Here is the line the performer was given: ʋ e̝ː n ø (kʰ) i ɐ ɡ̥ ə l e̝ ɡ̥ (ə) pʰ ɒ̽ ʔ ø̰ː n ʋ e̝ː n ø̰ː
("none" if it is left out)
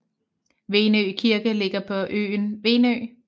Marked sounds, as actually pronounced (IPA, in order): kʰ, ɐ

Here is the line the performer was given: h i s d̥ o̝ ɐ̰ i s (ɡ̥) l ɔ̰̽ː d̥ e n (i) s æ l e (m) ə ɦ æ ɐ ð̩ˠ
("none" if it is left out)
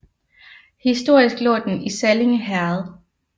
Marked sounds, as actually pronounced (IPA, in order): ɡ̥, i, ŋ

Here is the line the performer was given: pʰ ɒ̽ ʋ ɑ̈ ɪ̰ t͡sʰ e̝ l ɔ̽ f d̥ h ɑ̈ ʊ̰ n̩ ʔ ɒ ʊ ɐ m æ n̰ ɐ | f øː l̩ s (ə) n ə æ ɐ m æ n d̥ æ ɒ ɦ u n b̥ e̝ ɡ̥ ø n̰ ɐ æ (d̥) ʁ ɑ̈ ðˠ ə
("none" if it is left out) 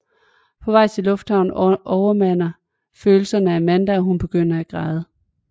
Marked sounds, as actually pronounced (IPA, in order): ɐ, ɡ̥

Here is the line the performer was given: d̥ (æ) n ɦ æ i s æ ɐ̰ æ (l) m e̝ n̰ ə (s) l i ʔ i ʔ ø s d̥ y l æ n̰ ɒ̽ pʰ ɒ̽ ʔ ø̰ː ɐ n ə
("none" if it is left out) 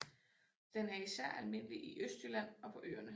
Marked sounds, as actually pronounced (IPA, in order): e, l, none

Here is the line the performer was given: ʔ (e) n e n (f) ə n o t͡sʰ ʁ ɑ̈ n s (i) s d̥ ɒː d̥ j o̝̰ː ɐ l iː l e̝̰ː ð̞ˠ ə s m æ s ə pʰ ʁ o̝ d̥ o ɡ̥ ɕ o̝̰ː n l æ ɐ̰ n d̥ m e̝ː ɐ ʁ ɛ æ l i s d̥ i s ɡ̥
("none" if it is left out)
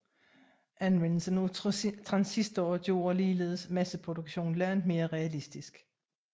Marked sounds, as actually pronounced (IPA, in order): æ, s, i

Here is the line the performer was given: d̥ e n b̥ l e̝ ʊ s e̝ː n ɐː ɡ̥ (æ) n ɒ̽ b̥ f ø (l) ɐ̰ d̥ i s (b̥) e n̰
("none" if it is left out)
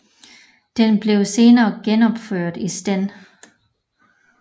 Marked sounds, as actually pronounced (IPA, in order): e, none, d̥

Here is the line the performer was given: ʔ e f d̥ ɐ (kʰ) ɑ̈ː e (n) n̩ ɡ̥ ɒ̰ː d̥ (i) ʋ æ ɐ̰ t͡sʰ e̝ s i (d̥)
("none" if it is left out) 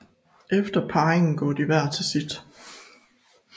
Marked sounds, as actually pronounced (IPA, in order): pʰ, ŋ, i, d̥

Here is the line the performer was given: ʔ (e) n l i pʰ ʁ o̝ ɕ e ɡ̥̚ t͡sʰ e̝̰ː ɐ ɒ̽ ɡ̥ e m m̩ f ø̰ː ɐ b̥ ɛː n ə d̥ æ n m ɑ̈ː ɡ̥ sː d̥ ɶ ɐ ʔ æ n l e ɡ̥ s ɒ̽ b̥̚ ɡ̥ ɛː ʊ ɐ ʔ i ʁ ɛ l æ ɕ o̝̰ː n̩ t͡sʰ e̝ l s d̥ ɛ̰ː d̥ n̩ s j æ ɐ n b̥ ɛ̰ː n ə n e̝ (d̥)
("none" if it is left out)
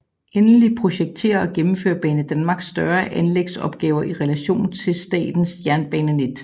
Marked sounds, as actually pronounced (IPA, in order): e, d̥

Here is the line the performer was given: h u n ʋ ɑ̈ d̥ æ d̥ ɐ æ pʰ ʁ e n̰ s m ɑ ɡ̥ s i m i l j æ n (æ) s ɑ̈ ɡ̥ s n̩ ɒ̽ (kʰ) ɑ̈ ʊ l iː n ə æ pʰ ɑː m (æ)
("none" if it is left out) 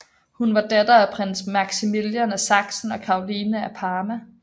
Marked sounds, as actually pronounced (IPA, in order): æ, kʰ, æ

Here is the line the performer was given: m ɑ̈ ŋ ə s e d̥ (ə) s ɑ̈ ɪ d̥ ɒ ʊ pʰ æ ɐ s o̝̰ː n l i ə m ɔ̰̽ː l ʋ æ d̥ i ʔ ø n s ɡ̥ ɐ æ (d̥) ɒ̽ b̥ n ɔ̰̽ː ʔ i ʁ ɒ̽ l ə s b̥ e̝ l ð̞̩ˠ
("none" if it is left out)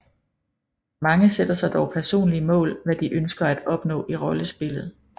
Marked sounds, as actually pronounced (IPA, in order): ɐ, d̥

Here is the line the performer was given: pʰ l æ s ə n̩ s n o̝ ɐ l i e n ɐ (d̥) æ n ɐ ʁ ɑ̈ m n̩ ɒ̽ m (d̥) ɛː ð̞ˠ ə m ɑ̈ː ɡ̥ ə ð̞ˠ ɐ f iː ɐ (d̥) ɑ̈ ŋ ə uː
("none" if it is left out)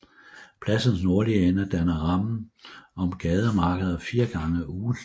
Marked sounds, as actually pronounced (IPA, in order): d̥, ɡ̥, ɡ̥

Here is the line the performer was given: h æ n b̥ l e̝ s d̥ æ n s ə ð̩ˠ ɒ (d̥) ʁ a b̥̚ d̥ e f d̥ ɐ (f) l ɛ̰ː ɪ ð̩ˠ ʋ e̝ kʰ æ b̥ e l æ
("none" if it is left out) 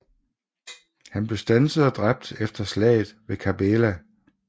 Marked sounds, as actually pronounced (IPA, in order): d̥, s

